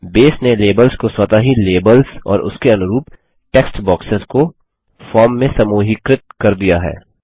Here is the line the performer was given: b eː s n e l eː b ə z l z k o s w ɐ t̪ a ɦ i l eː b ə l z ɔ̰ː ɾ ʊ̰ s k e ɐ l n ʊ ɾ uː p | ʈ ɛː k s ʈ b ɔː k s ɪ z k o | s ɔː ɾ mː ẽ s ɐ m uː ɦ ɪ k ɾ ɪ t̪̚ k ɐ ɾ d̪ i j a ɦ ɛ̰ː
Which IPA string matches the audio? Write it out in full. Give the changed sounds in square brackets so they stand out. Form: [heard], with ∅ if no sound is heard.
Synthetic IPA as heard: b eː s n e l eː b ə [∅] l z k o s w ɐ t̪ a ɦ i l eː b ə l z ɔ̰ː ɾ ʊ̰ s k e ɐ [∅] n ʊ ɾ uː p | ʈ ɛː k s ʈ b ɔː k s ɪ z k o | [f] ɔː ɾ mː ẽ s ɐ m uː ɦ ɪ k ɾ ɪ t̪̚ k ɐ ɾ d̪ i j a ɦ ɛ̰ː